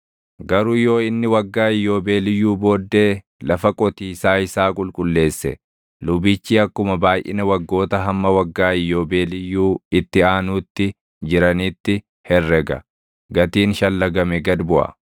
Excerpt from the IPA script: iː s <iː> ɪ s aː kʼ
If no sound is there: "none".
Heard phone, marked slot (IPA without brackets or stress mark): aː